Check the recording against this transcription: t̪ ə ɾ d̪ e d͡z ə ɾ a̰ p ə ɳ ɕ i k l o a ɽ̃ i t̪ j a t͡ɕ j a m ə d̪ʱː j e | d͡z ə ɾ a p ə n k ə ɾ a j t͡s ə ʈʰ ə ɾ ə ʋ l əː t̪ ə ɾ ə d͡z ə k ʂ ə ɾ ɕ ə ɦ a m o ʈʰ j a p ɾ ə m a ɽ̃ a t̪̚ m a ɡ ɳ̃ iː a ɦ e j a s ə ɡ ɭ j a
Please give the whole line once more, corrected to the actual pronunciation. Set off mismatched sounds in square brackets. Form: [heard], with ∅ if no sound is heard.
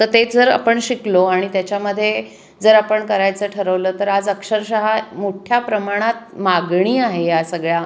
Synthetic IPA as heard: t̪ ə ɾ [t̪] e d͡z ə ɾ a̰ p ə ɳ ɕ i k l o a ɽ̃ i t̪ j a t͡ɕ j a m ə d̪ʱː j e | d͡z ə ɾ a p ə [ɳ] k ə ɾ a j t͡s ə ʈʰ ə ɾ ə ʋ l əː t̪ ə ɾ [a] d͡z ə k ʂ ə ɾ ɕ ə ɦ a m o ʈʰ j a p ɾ ə m a ɽ̃ a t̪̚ m a ɡ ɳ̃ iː a ɦ e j a s ə ɡ ɭ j a